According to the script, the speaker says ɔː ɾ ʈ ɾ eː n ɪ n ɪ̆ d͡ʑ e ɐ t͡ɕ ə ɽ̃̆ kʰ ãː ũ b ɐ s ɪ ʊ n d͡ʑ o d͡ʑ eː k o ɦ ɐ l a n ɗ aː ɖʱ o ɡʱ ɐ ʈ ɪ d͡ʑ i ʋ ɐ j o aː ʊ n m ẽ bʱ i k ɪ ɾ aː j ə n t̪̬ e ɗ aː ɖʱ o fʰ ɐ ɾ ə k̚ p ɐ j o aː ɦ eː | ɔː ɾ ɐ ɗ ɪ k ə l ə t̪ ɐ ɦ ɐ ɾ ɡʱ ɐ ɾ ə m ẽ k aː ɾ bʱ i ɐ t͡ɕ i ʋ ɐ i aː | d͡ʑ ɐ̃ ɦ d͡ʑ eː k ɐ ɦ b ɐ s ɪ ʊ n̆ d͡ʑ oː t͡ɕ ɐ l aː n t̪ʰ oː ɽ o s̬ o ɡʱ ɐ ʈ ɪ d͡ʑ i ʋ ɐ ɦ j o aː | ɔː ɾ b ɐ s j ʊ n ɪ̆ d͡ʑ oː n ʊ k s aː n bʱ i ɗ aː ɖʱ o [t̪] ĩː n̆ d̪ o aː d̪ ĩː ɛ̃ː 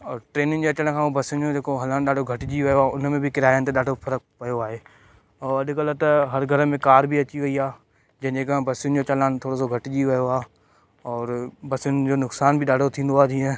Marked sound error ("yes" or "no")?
yes